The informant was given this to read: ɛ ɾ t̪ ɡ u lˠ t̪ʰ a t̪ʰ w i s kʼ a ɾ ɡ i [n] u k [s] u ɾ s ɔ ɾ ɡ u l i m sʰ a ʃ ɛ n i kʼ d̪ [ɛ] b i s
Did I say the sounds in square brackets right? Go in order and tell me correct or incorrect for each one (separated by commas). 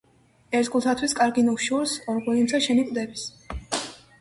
correct, incorrect, correct